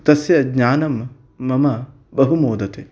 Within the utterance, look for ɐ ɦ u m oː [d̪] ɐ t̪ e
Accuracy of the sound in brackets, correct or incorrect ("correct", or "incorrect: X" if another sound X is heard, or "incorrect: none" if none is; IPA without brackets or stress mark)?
correct